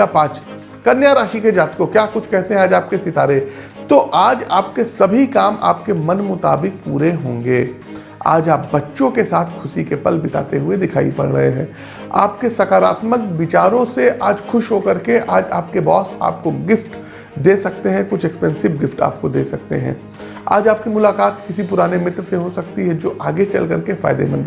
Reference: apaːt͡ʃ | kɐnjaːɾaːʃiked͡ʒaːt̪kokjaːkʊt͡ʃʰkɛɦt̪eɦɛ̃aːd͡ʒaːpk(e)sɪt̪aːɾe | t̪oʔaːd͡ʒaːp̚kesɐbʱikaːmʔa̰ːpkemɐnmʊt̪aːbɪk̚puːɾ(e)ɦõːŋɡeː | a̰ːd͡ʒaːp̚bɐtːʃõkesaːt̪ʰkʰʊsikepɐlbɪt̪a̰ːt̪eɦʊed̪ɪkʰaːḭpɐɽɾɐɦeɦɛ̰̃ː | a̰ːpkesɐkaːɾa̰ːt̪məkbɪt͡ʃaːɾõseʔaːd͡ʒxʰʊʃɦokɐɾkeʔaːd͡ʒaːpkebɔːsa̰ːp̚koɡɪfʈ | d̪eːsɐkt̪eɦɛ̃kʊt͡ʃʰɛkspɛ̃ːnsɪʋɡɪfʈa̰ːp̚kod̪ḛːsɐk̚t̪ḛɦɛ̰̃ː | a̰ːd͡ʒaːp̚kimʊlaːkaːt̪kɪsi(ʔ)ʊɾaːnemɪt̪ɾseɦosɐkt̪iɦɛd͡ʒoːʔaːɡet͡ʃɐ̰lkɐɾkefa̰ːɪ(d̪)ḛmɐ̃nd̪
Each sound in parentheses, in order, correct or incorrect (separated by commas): correct, correct, incorrect, correct